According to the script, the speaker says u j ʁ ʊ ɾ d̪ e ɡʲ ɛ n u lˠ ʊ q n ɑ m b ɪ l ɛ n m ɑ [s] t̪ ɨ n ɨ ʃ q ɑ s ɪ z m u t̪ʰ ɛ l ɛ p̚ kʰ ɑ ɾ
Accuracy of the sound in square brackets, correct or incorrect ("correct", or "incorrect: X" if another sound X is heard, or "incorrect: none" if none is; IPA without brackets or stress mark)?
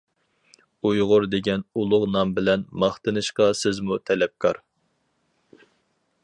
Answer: incorrect: χ